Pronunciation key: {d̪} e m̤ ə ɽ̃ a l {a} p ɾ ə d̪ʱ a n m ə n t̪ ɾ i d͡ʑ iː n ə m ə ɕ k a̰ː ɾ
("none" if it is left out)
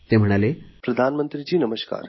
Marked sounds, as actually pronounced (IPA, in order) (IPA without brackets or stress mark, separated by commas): t̪, e